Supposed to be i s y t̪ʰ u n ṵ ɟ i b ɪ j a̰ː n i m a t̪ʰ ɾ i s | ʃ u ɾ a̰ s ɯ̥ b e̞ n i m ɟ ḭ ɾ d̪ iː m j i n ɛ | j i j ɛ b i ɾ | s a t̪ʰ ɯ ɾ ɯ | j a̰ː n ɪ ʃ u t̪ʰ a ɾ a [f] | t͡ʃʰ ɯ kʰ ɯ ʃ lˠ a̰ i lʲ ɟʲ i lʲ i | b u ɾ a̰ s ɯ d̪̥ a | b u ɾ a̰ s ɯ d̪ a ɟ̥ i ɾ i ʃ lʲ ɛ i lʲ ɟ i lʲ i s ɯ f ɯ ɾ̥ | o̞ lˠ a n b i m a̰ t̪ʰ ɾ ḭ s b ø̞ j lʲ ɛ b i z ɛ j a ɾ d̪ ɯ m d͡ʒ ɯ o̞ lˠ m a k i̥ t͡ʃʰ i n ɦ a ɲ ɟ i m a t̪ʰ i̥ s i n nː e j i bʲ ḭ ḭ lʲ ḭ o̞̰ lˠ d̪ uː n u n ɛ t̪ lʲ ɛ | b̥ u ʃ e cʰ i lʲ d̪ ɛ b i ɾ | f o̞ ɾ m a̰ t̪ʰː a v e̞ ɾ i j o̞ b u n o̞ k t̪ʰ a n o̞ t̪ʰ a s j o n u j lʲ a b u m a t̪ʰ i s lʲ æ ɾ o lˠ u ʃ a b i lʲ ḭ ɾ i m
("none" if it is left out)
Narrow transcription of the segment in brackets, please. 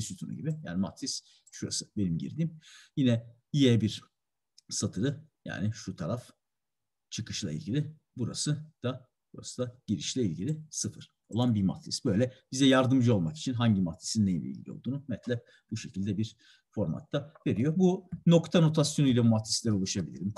f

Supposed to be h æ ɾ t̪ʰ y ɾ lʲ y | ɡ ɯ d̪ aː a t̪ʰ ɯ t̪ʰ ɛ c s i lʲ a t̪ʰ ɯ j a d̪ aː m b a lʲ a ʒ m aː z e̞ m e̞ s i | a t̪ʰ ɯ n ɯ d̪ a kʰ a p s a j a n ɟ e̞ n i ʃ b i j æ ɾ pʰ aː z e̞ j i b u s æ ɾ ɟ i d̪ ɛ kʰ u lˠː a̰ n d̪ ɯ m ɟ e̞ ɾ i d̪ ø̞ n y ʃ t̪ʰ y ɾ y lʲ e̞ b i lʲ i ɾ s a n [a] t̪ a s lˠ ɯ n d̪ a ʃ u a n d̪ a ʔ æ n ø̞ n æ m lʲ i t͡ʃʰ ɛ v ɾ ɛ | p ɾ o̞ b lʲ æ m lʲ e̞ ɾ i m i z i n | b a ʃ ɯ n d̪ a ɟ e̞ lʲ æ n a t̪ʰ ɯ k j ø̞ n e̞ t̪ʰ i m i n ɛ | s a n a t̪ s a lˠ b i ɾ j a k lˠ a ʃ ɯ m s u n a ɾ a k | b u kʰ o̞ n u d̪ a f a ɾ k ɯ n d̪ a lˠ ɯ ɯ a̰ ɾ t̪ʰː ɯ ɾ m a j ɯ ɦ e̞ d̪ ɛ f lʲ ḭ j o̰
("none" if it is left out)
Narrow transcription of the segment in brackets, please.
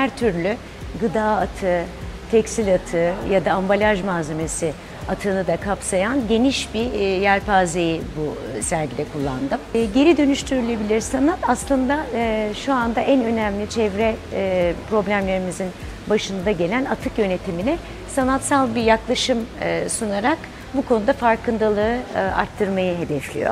a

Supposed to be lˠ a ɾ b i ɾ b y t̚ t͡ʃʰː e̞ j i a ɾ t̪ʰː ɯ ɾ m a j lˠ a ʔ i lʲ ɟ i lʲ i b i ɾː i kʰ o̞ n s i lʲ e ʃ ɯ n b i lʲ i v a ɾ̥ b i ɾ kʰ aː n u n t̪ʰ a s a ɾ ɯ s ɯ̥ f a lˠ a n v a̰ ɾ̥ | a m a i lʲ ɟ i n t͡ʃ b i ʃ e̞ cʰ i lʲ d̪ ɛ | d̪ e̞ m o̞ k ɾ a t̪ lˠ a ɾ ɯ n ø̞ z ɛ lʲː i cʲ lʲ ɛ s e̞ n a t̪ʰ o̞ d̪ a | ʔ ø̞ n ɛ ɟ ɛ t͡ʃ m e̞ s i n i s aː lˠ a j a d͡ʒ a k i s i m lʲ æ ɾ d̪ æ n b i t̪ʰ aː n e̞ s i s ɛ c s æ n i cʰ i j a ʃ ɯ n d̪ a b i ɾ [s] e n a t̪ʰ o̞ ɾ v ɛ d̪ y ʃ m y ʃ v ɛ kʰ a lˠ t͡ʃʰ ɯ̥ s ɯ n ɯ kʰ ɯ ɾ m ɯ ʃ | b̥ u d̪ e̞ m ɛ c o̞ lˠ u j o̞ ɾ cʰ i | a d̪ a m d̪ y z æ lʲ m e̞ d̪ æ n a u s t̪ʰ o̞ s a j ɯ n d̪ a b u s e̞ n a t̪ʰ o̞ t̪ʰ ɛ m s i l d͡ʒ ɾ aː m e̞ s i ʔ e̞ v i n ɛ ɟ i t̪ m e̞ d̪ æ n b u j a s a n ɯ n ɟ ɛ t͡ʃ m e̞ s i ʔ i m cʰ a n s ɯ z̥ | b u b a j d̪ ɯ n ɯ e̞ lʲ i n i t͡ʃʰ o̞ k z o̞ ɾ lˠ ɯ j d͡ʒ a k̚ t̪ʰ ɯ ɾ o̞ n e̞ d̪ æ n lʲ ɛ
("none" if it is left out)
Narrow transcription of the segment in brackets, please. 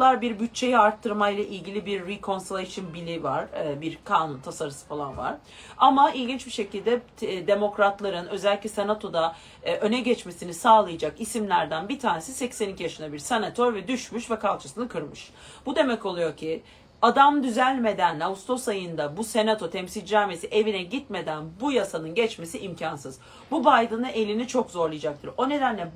s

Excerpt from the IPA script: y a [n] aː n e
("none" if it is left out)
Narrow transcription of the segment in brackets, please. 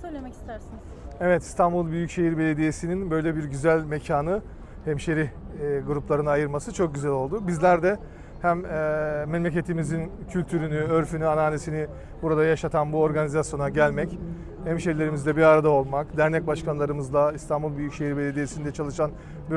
n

